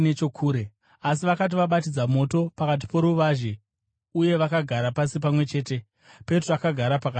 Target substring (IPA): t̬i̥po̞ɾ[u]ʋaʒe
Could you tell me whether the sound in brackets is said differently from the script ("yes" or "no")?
no